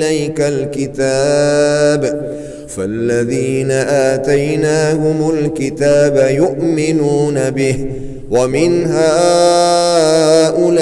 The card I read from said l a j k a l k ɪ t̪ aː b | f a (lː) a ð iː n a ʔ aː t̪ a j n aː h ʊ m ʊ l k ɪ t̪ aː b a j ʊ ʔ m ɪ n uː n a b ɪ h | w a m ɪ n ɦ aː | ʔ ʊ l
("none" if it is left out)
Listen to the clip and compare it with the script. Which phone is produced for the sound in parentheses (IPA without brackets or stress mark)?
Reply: lː